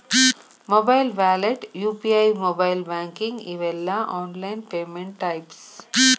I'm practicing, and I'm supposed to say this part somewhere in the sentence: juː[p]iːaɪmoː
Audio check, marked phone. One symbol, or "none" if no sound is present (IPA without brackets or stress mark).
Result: p